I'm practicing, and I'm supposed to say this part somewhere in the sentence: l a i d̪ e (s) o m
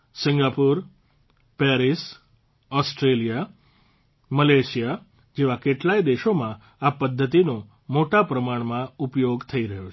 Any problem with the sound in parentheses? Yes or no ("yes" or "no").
yes